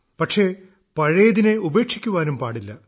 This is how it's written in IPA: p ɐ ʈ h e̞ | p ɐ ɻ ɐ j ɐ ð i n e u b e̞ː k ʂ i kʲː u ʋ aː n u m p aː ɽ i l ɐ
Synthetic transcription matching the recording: p ɐ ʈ ʂ e̞ | p ɐ ɻ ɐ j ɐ ð i n e u b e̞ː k ʂ i kʲː u ʋ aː n u m p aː ɽ i lː ɐ